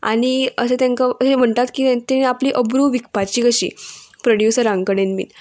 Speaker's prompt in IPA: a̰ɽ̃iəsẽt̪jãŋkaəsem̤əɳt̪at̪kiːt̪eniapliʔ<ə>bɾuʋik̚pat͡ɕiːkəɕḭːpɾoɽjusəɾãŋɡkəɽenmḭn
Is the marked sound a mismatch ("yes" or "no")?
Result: no